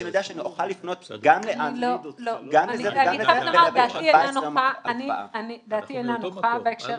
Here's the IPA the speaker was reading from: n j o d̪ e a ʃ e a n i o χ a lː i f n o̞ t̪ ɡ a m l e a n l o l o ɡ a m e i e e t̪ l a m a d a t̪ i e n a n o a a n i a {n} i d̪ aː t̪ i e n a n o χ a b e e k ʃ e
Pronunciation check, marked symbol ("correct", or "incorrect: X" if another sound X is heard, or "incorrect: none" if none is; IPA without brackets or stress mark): correct